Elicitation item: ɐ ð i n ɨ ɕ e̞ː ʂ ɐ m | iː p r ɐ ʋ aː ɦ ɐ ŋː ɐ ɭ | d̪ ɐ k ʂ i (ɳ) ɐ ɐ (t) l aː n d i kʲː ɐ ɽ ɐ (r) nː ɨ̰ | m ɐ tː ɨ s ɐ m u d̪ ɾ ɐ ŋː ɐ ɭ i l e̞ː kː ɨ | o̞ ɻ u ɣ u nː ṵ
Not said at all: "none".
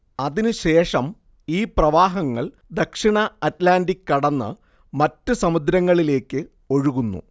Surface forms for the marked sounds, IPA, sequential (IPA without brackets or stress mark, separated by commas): ɳ, t, none